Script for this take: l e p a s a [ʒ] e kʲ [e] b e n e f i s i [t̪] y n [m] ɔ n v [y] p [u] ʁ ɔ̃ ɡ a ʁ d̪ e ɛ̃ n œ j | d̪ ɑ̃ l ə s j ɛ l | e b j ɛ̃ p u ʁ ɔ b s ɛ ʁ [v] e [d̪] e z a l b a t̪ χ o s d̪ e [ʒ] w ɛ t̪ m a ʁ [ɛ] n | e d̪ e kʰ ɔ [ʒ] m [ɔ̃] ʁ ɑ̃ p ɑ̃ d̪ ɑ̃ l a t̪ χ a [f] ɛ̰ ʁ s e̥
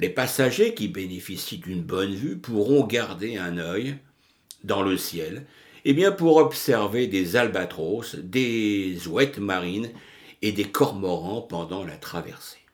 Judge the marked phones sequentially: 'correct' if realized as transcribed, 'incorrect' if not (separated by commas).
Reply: correct, incorrect, incorrect, incorrect, correct, correct, correct, correct, incorrect, incorrect, incorrect, incorrect, incorrect